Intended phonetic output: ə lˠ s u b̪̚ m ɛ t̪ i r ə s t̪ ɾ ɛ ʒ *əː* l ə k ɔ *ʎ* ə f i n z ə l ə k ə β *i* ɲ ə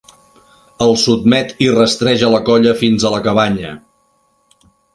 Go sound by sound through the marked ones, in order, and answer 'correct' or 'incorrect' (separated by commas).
incorrect, correct, incorrect